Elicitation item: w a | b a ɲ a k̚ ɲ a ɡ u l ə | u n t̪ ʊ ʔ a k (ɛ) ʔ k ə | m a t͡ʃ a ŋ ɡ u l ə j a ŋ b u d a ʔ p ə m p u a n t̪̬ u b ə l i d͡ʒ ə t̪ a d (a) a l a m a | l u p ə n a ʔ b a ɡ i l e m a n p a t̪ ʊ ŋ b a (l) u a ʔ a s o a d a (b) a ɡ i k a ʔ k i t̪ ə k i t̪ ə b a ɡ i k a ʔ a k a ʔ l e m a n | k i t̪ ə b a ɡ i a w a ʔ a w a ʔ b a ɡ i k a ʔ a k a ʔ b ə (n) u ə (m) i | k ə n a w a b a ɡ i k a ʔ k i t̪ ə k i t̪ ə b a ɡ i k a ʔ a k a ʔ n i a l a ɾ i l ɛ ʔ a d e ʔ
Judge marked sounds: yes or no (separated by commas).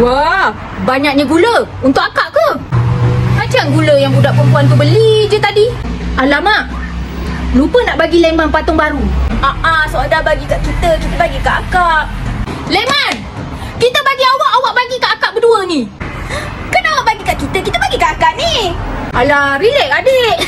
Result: no, no, no, yes, no, no